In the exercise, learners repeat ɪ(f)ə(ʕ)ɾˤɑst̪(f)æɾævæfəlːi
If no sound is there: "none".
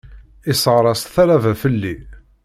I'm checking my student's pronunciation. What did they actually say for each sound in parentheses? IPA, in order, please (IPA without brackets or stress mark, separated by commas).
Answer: s, ʁ, θ